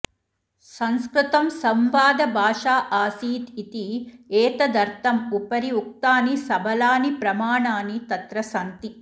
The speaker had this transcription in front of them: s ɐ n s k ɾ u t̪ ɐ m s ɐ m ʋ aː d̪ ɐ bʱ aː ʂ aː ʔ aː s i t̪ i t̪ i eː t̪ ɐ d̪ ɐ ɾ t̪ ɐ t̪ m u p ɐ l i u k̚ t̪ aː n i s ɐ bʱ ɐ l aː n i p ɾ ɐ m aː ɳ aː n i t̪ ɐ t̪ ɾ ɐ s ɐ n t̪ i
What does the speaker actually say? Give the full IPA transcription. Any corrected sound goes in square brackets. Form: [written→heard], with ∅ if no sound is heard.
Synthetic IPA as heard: s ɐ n s k ɾ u t̪ ɐ m s ɐ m ʋ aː d̪ ɐ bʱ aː ʂ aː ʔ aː s [i→iː] t̪ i t̪ i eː t̪ ɐ d̪ ɐ ɾ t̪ ɐ [t̪→∅] m u p ɐ [l→ɾ] i u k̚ t̪ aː n i s ɐ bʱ ɐ l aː n i p ɾ ɐ m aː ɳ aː n i t̪ ɐ t̪ ɾ ɐ s ɐ n t̪ i